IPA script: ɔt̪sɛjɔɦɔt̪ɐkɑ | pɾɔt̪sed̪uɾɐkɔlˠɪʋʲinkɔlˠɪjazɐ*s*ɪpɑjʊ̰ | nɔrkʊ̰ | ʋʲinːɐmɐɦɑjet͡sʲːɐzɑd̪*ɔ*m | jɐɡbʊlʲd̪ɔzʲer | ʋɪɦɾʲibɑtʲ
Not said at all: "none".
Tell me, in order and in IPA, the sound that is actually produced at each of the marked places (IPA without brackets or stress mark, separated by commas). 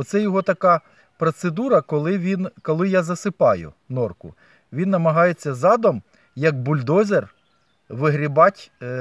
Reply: s, ɔ